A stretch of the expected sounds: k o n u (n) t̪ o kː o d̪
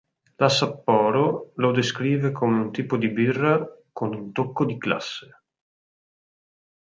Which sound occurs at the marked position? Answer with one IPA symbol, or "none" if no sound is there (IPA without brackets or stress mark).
n